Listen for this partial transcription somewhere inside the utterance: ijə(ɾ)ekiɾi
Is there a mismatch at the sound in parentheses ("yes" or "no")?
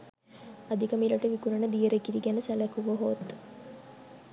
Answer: no